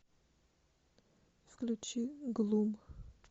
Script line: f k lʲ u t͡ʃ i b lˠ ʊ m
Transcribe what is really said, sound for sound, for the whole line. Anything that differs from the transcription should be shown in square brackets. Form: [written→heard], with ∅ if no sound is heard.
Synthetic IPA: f k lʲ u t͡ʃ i [b→ɡ] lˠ [ʊ→u] m